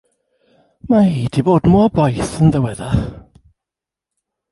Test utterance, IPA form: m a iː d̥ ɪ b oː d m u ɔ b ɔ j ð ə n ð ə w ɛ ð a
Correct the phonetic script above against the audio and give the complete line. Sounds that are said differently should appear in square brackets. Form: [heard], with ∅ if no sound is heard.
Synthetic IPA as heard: m a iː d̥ [i] b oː d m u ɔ b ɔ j [θ] ə n ð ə w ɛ ð a

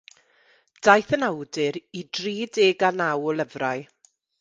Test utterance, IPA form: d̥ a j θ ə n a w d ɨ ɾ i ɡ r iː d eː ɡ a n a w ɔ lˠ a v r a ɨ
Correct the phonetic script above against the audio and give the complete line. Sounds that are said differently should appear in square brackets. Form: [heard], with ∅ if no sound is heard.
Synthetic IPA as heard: d̥ a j θ ə n a w d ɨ ɾ i [d] r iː d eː ɡ a n a w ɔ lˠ [ə] v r a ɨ

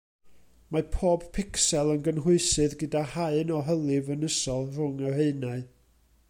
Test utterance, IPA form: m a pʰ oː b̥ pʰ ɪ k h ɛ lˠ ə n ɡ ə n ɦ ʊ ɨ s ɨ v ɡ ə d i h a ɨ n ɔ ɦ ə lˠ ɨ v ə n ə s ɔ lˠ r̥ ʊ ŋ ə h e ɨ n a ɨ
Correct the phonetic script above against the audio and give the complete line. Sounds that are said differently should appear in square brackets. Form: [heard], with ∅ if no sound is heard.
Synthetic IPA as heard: m a pʰ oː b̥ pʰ ɪ k [s] ɛ lˠ ə n ɡ ə n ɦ ʊ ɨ s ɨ [ð] ɡ ə d [a] h a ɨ n ɔ ɦ ə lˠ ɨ v ə n ə s ɔ lˠ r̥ ʊ ŋ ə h e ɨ n a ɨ

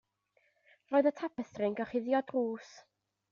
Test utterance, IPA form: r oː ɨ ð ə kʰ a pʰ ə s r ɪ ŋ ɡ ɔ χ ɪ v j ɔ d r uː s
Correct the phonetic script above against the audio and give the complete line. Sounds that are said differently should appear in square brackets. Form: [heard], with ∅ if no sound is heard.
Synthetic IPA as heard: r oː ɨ ð ə [tʰ] a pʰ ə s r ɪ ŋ ɡ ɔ χ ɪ [ð] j ɔ d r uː s

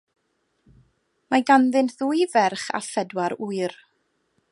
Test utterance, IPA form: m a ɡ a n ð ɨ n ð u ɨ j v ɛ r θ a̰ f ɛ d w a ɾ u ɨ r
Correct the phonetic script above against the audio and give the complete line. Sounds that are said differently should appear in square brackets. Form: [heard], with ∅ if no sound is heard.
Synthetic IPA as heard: m a ɡ a n ð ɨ n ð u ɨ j v ɛ r [χ] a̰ f ɛ d w a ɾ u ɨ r

